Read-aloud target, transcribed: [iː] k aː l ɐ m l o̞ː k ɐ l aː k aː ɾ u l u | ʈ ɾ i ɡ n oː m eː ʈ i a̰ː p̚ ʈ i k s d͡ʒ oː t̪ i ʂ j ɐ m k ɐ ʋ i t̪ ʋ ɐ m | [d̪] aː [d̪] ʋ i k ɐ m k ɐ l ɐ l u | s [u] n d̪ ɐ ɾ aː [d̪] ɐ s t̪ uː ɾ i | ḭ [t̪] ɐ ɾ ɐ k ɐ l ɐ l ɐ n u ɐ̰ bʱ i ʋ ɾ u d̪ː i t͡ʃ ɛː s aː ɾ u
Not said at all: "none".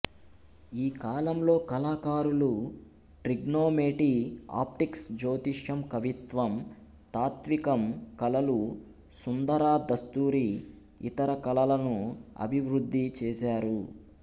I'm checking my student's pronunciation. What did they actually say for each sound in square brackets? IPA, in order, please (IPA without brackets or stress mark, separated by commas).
iː, t̪, t̪, u, d̪, t̪